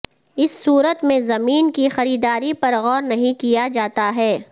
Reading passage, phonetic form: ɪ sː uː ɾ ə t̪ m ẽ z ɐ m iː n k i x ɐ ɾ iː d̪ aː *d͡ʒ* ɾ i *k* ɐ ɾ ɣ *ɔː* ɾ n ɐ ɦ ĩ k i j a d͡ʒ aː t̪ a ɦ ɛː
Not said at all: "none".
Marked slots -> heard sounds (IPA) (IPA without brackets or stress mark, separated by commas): none, p, ɔː